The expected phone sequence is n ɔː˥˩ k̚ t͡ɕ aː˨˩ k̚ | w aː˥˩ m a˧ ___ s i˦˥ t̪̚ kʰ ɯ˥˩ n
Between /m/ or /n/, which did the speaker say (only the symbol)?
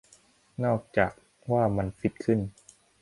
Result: n